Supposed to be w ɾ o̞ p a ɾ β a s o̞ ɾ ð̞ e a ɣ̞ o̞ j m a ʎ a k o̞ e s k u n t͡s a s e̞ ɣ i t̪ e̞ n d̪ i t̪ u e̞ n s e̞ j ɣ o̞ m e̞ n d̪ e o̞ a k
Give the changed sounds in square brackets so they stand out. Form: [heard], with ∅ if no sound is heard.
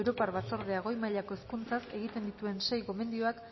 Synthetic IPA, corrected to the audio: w ɾ o̞ p a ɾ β a [t͡s] o̞ ɾ ð̞ e a ɣ̞ o̞ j m a ʎ a k o̞ e s k u n t͡s a s e̞ ɣ i t̪ e̞ n d̪ i t̪ u e̞ n s e̞ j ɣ o̞ m e̞ n d̪ [i] o̞ a k